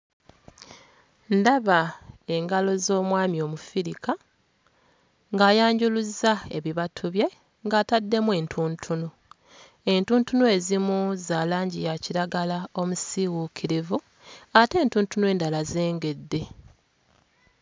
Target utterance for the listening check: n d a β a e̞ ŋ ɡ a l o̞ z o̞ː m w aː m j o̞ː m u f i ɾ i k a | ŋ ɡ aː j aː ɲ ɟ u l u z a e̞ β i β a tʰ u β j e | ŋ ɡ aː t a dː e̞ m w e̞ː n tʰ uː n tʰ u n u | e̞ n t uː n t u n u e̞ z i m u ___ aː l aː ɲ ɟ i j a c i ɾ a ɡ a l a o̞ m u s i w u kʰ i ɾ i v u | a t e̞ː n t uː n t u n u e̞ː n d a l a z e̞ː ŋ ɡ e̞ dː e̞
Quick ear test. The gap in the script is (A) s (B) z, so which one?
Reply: B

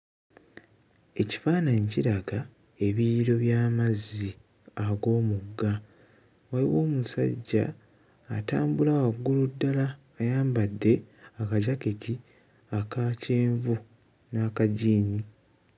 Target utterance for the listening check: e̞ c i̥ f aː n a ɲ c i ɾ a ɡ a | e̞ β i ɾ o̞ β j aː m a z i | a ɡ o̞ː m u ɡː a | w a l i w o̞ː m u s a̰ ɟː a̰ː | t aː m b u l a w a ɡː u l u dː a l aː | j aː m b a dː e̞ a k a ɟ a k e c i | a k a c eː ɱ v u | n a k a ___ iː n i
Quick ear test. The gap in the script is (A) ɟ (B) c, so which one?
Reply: A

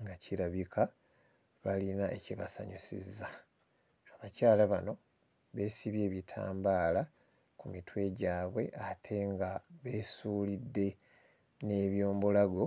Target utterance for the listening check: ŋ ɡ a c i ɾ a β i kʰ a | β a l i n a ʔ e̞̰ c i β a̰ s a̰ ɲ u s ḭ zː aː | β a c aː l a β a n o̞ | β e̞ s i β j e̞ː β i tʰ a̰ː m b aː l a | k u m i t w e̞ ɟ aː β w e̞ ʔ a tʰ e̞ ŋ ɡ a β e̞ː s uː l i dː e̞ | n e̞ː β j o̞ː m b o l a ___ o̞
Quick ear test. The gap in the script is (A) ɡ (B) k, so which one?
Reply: A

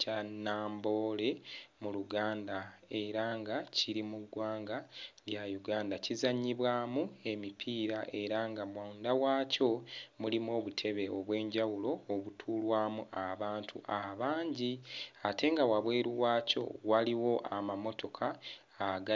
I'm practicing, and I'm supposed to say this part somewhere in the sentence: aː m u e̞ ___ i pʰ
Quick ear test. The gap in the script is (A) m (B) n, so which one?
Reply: A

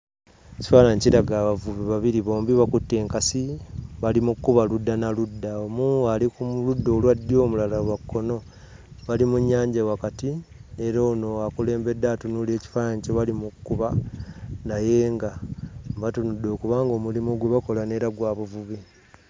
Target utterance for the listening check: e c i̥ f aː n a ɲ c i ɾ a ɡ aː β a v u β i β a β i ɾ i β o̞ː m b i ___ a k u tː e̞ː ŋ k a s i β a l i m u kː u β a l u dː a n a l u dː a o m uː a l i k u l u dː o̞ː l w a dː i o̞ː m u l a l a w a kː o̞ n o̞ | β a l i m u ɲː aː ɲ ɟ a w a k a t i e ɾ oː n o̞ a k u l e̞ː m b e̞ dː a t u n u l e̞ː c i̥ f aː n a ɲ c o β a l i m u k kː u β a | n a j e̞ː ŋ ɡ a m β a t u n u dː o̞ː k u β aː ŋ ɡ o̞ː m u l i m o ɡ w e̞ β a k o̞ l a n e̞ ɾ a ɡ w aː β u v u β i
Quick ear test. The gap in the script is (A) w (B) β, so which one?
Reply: B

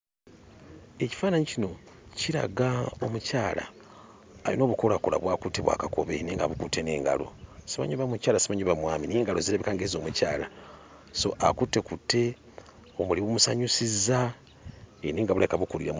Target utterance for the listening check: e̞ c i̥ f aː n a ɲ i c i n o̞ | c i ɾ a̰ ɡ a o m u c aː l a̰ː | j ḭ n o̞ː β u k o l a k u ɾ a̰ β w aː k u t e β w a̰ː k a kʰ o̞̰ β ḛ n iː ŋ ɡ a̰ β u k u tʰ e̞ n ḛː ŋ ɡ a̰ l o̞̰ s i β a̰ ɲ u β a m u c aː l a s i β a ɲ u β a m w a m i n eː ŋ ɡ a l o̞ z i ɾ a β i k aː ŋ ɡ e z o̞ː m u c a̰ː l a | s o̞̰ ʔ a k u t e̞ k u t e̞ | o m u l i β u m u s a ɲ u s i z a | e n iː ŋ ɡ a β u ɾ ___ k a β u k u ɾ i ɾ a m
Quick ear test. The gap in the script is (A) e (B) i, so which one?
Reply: A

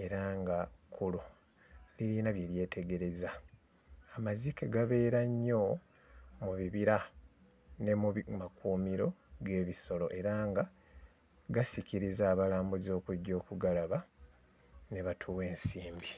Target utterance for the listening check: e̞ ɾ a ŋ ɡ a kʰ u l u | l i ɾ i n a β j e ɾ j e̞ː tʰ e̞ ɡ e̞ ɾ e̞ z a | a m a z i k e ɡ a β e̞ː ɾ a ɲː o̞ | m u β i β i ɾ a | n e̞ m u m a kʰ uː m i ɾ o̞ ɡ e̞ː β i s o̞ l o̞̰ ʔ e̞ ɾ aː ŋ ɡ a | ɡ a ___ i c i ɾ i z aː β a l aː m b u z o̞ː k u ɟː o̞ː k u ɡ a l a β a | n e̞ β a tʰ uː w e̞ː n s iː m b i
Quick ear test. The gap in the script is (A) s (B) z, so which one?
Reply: A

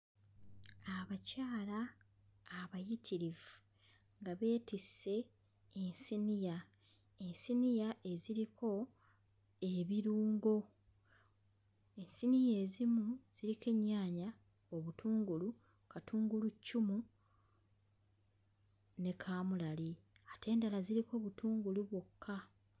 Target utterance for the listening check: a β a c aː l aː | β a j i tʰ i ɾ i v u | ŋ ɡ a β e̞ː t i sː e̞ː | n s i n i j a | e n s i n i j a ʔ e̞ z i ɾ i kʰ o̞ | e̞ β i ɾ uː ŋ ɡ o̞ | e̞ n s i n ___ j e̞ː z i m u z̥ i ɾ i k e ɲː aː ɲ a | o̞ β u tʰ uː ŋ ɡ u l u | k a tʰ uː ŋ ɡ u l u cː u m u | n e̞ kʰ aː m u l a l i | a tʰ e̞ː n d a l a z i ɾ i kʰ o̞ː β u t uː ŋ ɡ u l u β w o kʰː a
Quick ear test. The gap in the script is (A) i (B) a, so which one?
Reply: A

